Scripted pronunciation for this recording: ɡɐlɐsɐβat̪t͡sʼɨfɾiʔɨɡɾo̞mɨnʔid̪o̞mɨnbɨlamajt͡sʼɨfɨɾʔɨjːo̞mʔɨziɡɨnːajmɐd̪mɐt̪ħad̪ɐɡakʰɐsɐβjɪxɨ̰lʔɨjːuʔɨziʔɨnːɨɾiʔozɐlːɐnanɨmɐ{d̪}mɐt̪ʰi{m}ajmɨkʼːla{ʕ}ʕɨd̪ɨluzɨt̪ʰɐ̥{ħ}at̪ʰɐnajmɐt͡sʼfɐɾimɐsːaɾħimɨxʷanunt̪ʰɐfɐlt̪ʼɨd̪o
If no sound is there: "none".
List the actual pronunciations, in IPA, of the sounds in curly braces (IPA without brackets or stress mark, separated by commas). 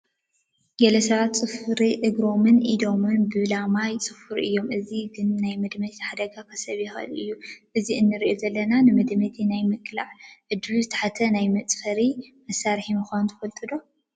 d̪, n, ʕ, ħ